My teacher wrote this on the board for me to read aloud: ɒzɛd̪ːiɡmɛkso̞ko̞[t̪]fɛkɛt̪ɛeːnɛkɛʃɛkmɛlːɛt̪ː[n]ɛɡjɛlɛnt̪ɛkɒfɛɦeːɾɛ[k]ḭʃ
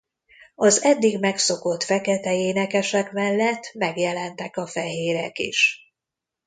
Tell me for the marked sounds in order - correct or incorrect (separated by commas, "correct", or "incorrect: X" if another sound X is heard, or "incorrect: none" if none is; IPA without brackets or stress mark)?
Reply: correct, incorrect: m, correct